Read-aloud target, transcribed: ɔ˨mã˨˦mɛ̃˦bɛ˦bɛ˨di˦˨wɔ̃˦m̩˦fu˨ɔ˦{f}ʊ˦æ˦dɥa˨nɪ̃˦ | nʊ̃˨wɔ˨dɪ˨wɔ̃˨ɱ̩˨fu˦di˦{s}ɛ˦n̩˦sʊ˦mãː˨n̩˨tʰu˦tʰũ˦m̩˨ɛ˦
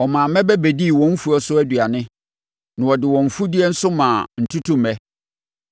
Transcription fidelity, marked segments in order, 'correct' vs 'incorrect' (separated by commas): incorrect, incorrect